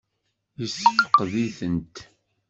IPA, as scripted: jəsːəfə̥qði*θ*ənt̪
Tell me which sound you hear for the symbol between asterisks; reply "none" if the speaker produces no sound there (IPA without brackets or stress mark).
θ